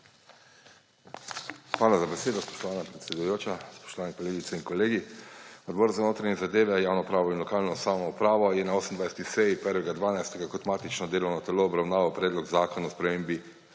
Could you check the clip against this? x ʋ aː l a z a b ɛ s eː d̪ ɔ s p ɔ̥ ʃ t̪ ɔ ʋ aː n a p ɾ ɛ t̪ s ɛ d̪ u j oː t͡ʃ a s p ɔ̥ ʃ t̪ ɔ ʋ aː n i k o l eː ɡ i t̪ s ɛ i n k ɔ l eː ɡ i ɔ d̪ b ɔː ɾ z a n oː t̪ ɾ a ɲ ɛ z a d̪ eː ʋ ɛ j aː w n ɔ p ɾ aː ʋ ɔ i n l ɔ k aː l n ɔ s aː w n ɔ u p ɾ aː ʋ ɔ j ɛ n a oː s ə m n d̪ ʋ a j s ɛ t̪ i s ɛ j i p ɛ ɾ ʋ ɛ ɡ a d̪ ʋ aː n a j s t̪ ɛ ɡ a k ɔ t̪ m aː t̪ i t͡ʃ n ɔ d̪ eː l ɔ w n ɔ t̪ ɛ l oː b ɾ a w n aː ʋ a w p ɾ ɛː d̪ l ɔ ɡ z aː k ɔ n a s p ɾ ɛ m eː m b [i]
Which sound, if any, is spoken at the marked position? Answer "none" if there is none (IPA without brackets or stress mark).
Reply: i